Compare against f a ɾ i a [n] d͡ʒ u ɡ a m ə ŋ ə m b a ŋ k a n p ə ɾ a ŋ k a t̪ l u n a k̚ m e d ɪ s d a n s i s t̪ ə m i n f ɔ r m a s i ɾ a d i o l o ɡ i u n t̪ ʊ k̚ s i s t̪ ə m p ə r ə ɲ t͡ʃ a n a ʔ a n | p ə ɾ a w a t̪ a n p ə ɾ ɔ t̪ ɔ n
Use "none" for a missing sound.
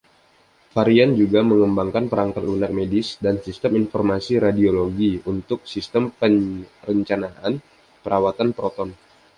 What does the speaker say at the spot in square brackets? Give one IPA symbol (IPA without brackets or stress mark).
n